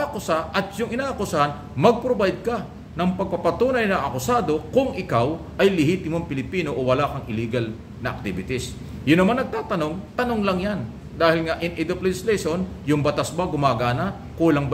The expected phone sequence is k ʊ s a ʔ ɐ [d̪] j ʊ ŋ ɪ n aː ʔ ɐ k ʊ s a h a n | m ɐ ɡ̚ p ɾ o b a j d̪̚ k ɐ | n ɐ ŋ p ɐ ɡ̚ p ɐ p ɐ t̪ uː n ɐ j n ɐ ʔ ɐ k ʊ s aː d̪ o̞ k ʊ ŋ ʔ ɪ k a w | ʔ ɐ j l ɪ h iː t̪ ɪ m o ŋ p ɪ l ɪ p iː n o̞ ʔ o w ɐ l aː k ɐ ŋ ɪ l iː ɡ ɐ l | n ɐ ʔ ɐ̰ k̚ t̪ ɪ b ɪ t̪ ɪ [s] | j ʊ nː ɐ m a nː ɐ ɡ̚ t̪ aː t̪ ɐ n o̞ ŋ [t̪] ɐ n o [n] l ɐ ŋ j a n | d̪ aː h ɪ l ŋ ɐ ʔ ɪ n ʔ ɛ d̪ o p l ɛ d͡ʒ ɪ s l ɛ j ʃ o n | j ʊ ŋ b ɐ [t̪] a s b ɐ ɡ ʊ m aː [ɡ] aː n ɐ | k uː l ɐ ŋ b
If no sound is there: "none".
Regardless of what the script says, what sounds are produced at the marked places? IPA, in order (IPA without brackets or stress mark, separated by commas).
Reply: t̪, s, t̪, ŋ, t̪, ɡ